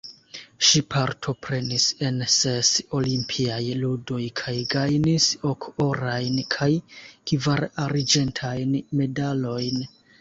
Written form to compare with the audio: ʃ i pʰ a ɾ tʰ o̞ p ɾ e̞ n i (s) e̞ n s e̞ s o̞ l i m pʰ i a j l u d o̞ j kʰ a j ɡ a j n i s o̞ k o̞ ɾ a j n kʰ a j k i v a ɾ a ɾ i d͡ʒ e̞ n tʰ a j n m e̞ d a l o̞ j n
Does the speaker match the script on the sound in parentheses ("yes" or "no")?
yes